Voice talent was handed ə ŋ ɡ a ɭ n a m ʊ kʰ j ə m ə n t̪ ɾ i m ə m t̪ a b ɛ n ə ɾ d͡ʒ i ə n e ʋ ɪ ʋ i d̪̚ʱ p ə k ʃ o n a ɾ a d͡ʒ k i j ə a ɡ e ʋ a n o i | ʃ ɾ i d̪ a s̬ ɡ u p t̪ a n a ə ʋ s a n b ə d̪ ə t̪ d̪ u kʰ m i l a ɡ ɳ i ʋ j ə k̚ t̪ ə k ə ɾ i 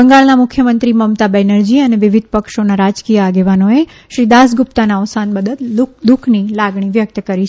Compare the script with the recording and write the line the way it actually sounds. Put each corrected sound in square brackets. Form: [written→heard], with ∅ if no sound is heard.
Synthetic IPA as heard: ə ŋ ɡ a ɭ n a m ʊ kʰ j ə m ə n t̪ ɾ i m ə m t̪ a b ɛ n ə ɾ d͡ʒ i ə n e ʋ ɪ ʋ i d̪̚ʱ p ə k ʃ o n a ɾ a d͡ʒ k i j ə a ɡ e ʋ a n o [i→e] | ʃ ɾ i d̪ a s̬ ɡ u p t̪ a n a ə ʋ s a n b ə d̪ ə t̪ d̪ u kʰ [m→n] i l a ɡ ɳ i ʋ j ə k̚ t̪ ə k ə ɾ i